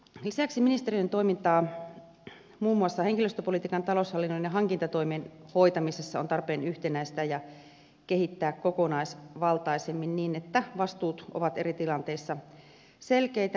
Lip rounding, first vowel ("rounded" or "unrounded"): unrounded